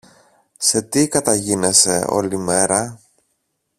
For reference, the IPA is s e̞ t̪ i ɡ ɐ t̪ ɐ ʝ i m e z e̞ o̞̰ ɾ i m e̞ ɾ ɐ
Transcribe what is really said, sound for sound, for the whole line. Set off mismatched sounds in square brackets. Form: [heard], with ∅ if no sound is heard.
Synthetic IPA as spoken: s e̞ t̪ i [k] ɐ t̪ ɐ ʝ i [n] e [s] e̞ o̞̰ [l] i m e̞ ɾ ɐ

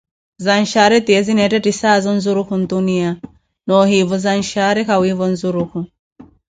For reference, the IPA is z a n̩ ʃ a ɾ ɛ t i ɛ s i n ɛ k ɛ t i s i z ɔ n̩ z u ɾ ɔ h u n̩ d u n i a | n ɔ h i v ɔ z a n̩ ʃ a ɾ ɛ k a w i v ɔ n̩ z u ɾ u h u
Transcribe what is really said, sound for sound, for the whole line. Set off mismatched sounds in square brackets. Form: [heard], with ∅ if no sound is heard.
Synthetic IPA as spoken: z a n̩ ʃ a ɾ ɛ t i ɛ [z] i n ɛ [t] ɛ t i s [a] z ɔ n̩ z u ɾ [u] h u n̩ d u n i a | n ɔ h i v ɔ z a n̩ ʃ a ɾ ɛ k a w i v ɔ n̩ z u ɾ u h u

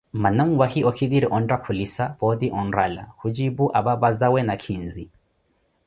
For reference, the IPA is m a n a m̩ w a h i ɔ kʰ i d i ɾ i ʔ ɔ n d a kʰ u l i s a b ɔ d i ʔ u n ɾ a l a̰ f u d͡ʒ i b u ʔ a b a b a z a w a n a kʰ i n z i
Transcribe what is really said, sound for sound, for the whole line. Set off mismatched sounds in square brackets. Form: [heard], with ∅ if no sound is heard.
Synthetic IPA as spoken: m a n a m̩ w a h i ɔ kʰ i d i ɾ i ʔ ɔ n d a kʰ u l i s a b ɔ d i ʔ [ɔ] n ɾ a l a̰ [h] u d͡ʒ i b u ʔ a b a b a z a w [ɛ] n a kʰ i n z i

